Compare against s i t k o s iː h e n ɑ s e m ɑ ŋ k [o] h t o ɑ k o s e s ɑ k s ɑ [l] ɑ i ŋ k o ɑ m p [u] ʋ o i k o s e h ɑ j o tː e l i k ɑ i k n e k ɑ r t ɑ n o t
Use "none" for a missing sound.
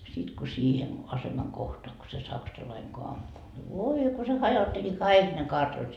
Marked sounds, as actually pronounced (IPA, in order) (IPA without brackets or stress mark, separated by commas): o, l, u